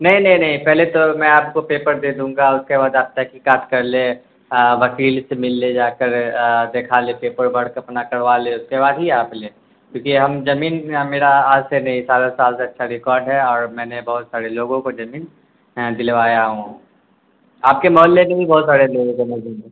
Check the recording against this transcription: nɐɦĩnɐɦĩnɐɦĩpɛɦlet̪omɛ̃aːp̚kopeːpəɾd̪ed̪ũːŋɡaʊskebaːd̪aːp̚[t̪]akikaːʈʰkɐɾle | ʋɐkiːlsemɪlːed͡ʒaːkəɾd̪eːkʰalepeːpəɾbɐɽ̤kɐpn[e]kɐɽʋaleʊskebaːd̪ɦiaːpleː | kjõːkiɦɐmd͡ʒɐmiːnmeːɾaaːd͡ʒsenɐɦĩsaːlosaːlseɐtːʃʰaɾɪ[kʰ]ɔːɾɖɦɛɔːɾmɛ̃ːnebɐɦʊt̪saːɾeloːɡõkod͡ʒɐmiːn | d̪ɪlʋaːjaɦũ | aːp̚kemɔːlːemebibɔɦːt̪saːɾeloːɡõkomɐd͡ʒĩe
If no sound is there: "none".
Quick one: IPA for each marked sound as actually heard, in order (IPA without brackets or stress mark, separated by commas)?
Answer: t̪, a, k